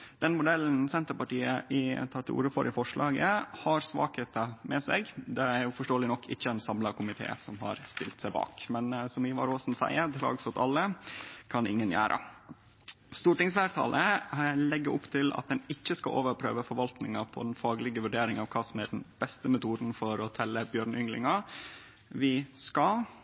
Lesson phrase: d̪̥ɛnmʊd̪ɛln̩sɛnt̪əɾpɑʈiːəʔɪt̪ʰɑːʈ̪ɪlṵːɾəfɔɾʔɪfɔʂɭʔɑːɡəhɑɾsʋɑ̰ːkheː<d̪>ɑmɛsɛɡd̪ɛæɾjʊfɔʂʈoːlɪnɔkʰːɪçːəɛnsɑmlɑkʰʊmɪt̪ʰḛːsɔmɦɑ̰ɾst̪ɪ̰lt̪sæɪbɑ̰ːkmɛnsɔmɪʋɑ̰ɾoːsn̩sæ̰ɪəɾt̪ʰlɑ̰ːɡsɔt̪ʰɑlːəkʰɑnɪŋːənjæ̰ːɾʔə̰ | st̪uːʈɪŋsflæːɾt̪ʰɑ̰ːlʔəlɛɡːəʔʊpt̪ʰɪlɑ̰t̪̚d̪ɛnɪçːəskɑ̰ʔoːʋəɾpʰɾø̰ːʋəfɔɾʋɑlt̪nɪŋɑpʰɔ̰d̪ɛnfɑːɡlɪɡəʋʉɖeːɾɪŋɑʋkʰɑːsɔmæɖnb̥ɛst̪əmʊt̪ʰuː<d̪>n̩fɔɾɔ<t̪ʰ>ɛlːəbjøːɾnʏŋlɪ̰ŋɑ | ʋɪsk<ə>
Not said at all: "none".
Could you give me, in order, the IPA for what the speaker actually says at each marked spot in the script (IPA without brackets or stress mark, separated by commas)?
t̪, d̪, t̪ʰ, ɑ